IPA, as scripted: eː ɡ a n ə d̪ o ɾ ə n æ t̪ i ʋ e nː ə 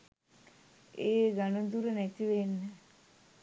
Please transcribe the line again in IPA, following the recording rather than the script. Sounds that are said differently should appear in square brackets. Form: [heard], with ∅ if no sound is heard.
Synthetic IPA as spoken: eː ɡ a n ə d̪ [u] ɾ ə n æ t̪ i ʋ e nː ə

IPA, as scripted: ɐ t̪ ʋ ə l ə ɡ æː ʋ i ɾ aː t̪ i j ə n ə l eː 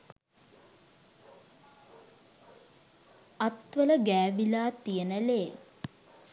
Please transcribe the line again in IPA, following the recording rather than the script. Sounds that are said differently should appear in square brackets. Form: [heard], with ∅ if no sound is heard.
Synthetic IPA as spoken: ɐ t̪ ʋ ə l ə ɡ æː ʋ i [l] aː t̪ i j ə n ə l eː

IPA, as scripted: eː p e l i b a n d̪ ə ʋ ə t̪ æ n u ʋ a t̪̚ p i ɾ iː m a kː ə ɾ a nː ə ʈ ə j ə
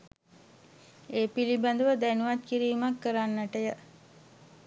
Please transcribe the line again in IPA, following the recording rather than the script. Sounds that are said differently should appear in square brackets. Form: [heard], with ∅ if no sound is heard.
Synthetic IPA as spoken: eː p [i] l i b a n d̪ ə ʋ ə [d̪] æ n u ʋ a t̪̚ [k] i ɾ iː m a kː ə ɾ a nː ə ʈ ə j ə

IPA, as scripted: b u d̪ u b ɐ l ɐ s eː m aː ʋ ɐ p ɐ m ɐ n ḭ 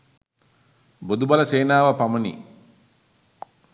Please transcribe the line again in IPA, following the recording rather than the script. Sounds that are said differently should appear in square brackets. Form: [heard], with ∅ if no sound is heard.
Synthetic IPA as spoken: b [o] d̪ u b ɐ l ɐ s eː [n] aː ʋ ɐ p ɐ m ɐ n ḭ

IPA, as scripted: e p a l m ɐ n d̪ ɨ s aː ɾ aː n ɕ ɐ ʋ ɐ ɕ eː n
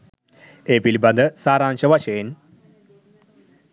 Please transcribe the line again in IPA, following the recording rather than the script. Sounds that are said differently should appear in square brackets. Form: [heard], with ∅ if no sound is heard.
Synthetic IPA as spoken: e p [i] l [b] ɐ n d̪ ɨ s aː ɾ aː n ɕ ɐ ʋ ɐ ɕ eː n

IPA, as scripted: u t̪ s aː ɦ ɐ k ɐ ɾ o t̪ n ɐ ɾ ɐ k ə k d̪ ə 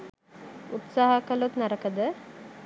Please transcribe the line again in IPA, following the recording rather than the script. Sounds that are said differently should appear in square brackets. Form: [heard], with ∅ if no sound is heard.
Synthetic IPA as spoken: u t̪ s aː ɦ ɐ k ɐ [l] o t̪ n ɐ ɾ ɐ k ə [∅] d̪ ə

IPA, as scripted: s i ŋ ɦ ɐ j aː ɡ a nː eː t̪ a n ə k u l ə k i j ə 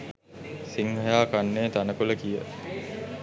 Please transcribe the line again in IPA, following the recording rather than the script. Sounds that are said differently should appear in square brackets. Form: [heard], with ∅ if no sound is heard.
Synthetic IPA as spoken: s i ŋ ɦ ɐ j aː [k] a nː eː t̪ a n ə k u l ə k i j ə

